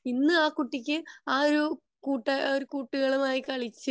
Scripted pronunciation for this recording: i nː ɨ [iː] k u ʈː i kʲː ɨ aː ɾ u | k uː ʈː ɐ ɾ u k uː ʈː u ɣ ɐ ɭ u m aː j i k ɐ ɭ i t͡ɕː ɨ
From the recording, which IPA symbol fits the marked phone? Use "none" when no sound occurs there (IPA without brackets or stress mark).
aː